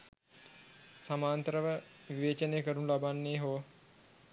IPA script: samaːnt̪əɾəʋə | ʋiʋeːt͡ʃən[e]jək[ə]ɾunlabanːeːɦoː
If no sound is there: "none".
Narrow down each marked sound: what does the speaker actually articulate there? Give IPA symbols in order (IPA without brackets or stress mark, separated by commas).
e, ə